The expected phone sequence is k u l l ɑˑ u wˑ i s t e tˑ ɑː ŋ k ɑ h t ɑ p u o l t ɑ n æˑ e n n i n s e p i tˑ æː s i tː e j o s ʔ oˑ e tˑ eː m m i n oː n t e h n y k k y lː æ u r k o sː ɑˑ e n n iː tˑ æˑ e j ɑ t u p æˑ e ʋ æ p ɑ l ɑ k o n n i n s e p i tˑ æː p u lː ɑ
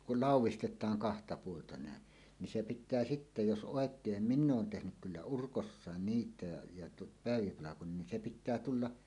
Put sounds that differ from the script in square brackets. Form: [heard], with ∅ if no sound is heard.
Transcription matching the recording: k u l l ɑˑ u wˑ i s t e tˑ ɑː ŋ k ɑ h t ɑ p u o l t ɑ n æˑ e n n i n s e p i tˑ æː s i tː e j o s ʔ oˑ e [kˑ] eː m m i [nː] oː n t e h n y k k y lː æ u r k o sː ɑˑ e n n iː tˑ æˑ e j ɑ t u p æˑ e ʋ [i] p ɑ l ɑ k o n n i n s e p i tˑ æː [t] u lː ɑ

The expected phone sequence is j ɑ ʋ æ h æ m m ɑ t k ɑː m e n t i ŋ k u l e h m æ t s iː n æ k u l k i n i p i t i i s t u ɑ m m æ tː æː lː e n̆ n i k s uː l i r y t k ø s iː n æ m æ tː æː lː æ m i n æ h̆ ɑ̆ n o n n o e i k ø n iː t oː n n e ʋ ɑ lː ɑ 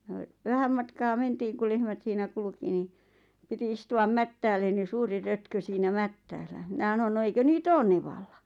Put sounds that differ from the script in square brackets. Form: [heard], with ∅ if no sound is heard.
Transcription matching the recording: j ɑ ʋ æ h æ m m ɑ t k ɑː m e n t [iː] ŋ k u l e h m æ t s iː n æ k u l k i n i p i t i i s t u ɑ m m æ tː æː lː e n̆ n i [∅] s uː [r] i r [ø] t k ø s iː n æ m æ tː æː lː æ m i n æ h̆ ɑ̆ n o n n o e i k ø n iː t oː n n e ʋ ɑ lː ɑ

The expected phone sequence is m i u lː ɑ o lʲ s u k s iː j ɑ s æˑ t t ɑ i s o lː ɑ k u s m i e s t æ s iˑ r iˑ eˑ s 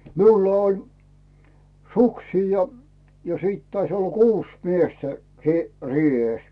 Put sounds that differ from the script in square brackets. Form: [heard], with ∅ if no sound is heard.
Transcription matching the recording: m i u lː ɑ o lʲ s u k s iː j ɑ s [iˑ] t t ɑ i s o lː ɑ k [uː] s m i e s t æ s iˑ r iˑ eˑ s

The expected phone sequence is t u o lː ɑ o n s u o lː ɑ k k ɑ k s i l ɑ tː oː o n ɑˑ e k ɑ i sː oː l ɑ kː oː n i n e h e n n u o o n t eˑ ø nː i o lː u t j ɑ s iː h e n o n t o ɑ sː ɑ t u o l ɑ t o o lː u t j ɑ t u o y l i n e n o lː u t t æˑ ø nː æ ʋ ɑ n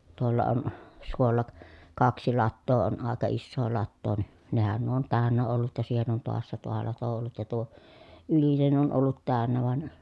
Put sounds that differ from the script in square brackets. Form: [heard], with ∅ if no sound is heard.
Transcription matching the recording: t u o lː ɑ o n s u o lː ɑ k k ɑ k s i l ɑ tː oː o n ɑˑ e k ɑ i sː oː l ɑ [tː] oː n i n e h [æ] n n u o o n t [æˑ] ø nː [æ] o lː u t j ɑ s iː h e n o n t o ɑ sː ɑ t u o l ɑ t o o lː u t j ɑ t u o y l i n e n o lː u t t æˑ ø nː æ ʋ ɑ n

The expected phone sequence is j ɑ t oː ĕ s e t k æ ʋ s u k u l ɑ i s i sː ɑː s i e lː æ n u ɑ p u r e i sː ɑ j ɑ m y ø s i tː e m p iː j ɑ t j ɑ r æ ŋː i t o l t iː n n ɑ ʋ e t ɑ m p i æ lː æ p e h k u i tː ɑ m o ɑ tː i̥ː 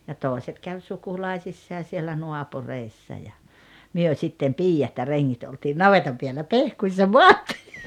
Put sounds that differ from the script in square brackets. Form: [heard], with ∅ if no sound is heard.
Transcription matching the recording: j ɑ t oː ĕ s e t k æ ʋ s u k u l ɑ i s i sː ɑː s i e lː æ n u ɑ p u r e i sː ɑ j ɑ m y ø s i tː e m p iː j ɑ t j ɑ r [e] ŋː i t o l t iː n n ɑ ʋ e t ɑ m p i æ lː æ p e h k u i [sː] ɑ m o ɑ tː i̥ː

